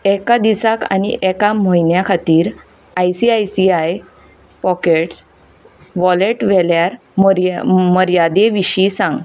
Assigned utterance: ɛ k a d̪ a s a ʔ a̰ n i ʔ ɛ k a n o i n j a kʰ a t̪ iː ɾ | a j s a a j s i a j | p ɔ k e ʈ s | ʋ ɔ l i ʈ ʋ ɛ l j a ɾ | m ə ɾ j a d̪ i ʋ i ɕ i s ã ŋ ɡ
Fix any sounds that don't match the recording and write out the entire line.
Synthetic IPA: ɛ k a d̪ i s a k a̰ n i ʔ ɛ k a m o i n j a kʰ a t̪ iː ɾ | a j s i a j s i a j | p ɔ k e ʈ s | ʋ ɔ l e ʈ ʋ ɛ l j a ɾ | m ə ɾ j a d̪ e ʋ i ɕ i s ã ŋ ɡ